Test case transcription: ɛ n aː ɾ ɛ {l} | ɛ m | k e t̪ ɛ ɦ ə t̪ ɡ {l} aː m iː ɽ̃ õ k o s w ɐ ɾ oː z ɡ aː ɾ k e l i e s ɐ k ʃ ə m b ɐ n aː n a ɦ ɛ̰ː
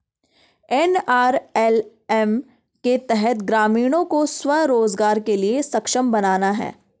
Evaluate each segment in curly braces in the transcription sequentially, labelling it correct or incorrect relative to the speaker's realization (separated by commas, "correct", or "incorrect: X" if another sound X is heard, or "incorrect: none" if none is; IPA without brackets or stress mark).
correct, incorrect: ɾ